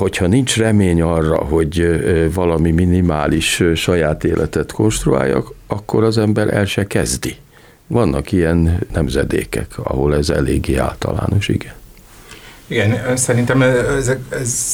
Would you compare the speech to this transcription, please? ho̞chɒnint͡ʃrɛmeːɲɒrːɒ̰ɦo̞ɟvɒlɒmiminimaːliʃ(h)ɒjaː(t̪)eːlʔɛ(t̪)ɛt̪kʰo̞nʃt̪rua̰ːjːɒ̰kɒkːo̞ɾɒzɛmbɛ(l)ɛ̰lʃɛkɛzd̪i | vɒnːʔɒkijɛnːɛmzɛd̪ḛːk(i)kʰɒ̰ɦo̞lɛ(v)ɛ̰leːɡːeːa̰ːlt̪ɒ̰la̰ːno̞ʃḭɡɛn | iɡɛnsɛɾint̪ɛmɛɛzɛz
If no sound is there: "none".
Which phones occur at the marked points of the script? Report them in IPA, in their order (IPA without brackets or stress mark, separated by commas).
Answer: ʃ, t̪, t̪, ɾ, ɛ, z